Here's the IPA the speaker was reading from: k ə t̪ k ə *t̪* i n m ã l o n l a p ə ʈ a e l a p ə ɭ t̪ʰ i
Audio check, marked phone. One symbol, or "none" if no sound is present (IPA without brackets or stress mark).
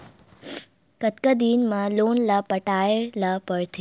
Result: d̪